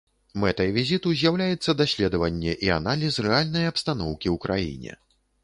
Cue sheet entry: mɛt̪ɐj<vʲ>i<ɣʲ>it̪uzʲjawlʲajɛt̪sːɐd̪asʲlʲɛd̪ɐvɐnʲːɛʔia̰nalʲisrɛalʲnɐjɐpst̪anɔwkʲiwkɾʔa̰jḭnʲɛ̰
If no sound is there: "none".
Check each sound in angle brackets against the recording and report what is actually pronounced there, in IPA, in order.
vʲ, zʲ

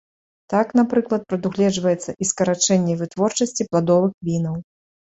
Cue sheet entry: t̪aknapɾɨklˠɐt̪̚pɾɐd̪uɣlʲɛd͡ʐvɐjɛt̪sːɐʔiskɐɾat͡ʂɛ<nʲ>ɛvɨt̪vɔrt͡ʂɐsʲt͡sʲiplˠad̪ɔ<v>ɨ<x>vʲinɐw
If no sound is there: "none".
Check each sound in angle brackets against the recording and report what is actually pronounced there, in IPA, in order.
nʲː, v, x

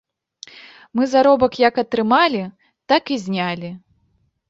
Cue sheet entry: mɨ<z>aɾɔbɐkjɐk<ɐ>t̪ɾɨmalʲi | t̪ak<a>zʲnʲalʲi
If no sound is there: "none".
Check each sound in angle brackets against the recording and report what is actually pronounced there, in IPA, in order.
z, ɐ, i

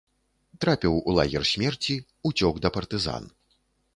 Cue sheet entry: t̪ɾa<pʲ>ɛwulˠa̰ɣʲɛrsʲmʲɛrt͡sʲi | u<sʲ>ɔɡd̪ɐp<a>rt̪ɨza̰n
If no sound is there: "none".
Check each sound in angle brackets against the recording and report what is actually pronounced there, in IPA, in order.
pʲ, t͡sʲ, ɐ

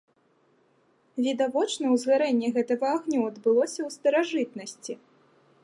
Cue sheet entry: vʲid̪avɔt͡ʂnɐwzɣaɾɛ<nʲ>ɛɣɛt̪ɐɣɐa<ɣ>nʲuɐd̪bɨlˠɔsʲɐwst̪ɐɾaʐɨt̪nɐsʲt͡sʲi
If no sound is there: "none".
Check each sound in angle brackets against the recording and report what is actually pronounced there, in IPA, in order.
nʲː, ɣ

